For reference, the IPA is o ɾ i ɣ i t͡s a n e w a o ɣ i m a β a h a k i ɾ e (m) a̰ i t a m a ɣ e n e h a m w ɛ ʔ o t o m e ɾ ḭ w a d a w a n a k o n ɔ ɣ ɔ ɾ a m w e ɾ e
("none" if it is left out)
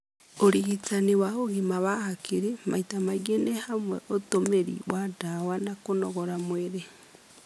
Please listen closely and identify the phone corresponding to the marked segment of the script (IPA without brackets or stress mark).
m